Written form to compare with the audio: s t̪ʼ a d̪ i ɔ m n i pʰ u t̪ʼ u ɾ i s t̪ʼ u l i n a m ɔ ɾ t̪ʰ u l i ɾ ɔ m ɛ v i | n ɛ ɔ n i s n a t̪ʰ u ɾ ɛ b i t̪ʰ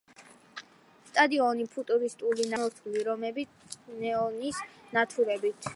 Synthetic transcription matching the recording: s t̪ʼ a d̪ i ɔ n i pʰ u t̪ʼ u ɾ i s t̪ʼ u l i n a m ɔ ɾ t̪ʰ u l i ɾ ɔ m ɛ b i | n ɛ ɔ n i s n a t̪ʰ u ɾ ɛ b i t̪ʰ